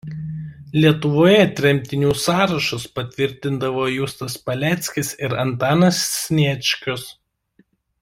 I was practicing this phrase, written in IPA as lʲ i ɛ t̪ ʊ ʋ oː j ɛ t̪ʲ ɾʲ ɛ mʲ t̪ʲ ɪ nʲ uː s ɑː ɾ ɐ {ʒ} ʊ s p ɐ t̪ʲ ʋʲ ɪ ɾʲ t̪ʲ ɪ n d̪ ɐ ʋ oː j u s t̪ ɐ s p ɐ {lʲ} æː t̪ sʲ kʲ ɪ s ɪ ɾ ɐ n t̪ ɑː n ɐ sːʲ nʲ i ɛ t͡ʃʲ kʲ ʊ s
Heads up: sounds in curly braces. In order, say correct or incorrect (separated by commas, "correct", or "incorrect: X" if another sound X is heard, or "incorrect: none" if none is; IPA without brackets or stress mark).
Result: incorrect: ʃ, correct